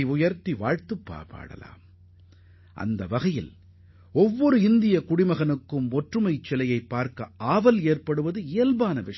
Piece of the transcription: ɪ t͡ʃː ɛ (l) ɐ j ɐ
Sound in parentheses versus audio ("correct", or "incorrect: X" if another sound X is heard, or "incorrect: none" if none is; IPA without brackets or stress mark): correct